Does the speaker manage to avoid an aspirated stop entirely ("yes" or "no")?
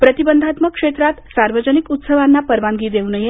yes